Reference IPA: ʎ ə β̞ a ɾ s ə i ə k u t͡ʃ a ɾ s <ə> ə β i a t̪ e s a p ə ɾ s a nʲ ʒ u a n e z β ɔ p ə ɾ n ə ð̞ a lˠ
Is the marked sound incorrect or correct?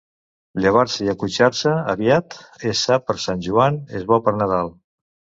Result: correct